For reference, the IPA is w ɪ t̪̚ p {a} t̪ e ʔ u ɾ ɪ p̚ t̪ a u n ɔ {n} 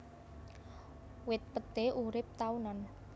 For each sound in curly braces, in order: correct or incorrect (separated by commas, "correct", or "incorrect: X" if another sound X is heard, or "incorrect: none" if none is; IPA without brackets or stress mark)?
incorrect: ə, correct